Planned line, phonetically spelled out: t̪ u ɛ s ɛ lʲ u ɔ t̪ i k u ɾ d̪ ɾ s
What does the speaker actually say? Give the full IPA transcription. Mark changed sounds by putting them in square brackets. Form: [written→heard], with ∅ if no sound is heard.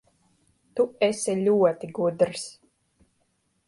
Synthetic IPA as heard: t̪ u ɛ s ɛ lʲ u ɔ t̪ i [k→ɡ] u [ɾ→∅] d̪ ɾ s